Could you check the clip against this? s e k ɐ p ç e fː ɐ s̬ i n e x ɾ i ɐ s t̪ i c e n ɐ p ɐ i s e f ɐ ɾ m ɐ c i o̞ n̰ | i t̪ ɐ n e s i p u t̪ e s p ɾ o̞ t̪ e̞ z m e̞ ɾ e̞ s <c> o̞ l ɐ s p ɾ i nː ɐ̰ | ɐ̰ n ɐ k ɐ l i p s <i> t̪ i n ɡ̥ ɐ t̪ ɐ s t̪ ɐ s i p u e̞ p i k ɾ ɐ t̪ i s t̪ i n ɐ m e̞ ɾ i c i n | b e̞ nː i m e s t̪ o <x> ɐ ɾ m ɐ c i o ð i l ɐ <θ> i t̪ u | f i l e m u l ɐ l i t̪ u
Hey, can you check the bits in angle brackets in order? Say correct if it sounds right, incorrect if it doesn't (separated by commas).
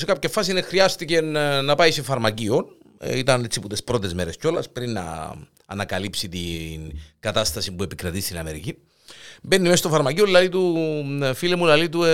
correct, correct, incorrect, incorrect